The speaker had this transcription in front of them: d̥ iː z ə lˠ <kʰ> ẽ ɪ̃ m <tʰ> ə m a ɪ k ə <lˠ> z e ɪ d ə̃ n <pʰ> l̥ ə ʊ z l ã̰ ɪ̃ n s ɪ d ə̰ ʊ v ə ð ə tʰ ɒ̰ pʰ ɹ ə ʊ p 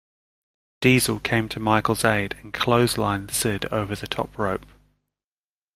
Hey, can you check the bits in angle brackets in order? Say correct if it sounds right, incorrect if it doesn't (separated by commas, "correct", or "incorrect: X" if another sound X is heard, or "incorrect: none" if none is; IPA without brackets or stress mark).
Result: correct, correct, correct, incorrect: kʰ